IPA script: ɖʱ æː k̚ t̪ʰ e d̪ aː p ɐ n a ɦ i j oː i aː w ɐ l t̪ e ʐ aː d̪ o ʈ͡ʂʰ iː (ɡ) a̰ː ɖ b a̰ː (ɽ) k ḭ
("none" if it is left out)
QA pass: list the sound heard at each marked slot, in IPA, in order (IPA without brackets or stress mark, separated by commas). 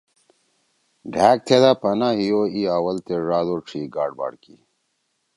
ɡ, ɽ